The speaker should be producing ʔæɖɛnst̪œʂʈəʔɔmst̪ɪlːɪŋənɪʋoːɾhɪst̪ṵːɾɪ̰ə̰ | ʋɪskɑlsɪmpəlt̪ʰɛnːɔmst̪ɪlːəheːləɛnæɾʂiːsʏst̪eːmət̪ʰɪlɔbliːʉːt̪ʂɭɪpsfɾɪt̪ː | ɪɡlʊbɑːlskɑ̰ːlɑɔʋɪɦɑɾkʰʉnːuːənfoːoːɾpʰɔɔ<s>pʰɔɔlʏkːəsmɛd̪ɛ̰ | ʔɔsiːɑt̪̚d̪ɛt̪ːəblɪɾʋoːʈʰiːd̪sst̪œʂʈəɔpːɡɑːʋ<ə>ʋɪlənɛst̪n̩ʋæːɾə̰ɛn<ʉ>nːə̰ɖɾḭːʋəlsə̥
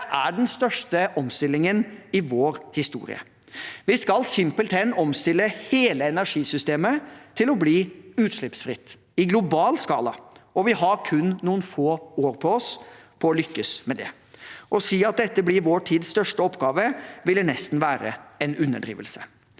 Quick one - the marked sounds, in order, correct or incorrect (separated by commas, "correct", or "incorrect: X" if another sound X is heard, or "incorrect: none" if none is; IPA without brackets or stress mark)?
correct, correct, correct